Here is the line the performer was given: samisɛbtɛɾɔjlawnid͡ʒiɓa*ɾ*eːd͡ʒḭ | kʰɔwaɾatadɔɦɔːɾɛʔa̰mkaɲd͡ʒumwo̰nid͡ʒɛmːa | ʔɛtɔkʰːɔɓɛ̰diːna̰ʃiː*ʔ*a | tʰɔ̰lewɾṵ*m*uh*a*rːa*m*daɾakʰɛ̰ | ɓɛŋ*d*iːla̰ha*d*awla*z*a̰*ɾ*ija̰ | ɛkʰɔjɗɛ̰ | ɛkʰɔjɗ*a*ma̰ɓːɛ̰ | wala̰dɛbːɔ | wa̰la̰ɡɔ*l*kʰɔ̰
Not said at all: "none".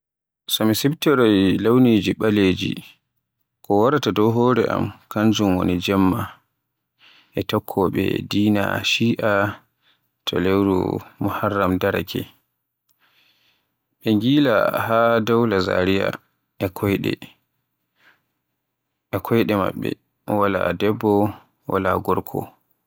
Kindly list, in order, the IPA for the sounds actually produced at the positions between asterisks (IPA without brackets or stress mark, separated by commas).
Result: l, ʔ, m, a, m, ɡ, d, z, ɾ, ɛ, ɾ